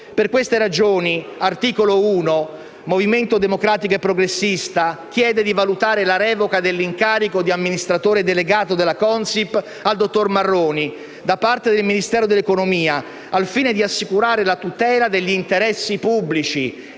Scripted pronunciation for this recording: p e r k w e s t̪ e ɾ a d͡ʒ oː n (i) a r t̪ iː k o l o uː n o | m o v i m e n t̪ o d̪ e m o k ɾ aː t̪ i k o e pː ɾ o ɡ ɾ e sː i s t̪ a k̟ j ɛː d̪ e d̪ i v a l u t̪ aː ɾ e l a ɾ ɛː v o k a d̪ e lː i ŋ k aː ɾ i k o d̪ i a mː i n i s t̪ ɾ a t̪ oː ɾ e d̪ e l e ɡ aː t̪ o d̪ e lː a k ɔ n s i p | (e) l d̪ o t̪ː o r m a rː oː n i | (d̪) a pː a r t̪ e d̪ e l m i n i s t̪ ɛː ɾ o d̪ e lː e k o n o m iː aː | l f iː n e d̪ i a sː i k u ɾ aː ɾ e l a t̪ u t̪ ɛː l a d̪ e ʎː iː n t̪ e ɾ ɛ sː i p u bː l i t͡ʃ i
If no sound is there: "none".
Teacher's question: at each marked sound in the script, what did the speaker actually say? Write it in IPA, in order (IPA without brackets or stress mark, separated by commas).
i, a, d̪